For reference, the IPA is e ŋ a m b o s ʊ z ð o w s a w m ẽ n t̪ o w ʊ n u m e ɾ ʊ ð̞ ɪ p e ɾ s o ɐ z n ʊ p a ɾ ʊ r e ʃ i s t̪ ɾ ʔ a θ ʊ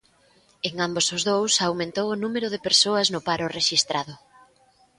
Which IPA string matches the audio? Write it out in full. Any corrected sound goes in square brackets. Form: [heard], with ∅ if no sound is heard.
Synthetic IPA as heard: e ŋ a m b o s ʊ z ð o w s a w m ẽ n t̪ o w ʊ n u m e ɾ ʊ ð̞ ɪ p e ɾ s o ɐ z n ʊ p a ɾ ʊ r e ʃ i s t̪ ɾ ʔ a [ð] ʊ